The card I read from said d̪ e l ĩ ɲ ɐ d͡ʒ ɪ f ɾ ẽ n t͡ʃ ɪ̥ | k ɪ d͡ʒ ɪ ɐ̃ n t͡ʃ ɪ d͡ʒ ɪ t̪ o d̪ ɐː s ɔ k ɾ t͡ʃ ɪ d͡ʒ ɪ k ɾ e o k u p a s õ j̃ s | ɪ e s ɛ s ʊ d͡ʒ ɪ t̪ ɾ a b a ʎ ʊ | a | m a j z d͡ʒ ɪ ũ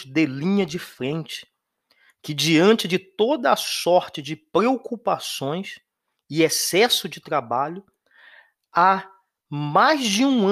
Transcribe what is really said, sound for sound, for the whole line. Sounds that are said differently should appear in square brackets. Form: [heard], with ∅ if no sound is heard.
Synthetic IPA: d̪ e l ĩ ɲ ɐ d͡ʒ ɪ f ɾ ẽ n t͡ʃ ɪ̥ | k ɪ d͡ʒ [i] ɐ̃ n t͡ʃ ɪ d͡ʒ ɪ t̪ o d̪ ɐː s ɔ [∅] ɾ t͡ʃ ɪ d͡ʒ ɪ [p] ɾ e o k u p a s õ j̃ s | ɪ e s ɛ s ʊ d͡ʒ ɪ t̪ ɾ a b a ʎ ʊ | a | m a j z d͡ʒ ɪ ũ